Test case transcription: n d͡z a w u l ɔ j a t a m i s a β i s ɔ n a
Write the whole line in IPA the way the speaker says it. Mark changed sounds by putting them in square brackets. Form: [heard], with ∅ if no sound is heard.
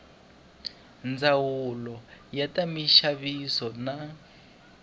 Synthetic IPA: n d͡z a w u l ɔ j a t a m i [ʃ] a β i s ɔ n a